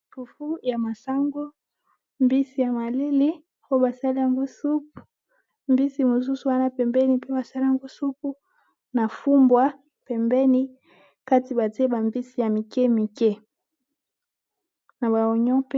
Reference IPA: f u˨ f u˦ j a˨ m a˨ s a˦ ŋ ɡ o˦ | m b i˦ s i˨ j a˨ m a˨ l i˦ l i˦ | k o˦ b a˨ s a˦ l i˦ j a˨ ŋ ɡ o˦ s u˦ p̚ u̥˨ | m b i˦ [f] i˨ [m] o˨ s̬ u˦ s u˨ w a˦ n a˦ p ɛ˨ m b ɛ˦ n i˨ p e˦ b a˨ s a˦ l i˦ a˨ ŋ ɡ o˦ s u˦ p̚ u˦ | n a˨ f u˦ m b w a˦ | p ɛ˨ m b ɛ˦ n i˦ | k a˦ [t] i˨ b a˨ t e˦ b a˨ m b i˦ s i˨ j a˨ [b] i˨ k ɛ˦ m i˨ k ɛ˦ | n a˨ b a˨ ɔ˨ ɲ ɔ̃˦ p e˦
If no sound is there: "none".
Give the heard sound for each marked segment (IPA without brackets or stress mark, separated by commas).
s, m, t, m